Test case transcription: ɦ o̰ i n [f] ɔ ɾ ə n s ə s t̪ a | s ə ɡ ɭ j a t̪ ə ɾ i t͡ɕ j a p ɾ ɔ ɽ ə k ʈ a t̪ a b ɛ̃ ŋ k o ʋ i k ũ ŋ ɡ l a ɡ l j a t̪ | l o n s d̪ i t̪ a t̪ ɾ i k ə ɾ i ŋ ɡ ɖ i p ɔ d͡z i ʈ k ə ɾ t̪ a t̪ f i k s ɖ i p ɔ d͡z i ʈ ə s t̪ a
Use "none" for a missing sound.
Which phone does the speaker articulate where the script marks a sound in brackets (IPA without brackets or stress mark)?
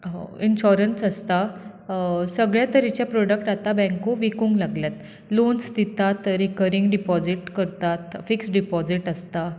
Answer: ɕ